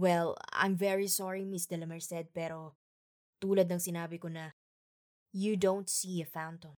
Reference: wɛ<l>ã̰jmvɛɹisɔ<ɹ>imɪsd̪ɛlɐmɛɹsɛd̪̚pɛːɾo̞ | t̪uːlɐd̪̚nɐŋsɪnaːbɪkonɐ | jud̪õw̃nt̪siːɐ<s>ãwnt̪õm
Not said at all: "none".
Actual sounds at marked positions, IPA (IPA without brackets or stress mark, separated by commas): l, ɹ, f